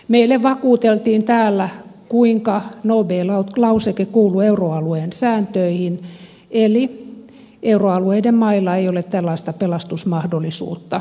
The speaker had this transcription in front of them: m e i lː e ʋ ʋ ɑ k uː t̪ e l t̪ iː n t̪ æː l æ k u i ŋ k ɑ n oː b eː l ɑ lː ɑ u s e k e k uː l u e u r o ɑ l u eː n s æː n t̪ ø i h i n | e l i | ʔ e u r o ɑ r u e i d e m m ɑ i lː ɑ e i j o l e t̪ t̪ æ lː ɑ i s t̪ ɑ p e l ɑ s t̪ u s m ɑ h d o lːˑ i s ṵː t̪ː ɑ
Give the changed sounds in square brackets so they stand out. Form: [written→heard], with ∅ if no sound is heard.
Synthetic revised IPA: m e i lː e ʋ ʋ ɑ k uː t̪ e l t̪ iː n t̪ æː [l→lː] æ k u i ŋ k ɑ n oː b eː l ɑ [lː→l] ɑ u s e k e k uː l u e u r o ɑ l u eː n s æː n t̪ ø i h i n | e l i | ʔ e u r o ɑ [r→l] u e i d e m m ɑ i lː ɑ e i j o l e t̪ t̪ æ lː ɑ i s t̪ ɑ p e l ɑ s t̪ u s m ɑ h d o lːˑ i s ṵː t̪ː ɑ